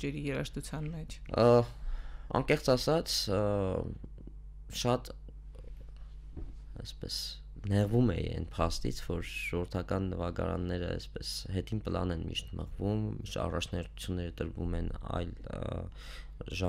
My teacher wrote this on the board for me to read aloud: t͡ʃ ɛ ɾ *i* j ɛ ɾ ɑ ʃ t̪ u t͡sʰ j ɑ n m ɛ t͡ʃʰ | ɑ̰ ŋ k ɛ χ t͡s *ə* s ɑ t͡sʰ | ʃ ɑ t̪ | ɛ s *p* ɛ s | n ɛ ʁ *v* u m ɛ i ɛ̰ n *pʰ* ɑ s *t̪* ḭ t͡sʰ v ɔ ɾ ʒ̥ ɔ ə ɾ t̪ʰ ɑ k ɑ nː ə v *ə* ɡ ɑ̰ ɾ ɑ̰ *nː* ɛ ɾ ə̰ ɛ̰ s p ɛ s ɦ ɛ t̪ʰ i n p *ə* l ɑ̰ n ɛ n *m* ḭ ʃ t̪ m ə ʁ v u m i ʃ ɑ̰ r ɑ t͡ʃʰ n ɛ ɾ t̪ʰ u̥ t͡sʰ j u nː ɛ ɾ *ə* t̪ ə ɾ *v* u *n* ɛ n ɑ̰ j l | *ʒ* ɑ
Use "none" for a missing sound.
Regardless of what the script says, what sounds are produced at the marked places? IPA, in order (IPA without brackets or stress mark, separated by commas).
i, ɑ, p, v, pʰ, t̪, ɑ, nː, ə, m, ə, v, m, ʒ